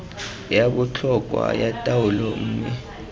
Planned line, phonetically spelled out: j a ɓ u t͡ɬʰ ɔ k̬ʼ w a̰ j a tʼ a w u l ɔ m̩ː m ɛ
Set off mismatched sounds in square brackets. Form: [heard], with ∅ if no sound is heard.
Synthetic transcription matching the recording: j a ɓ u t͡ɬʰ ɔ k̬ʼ w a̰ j a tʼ a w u l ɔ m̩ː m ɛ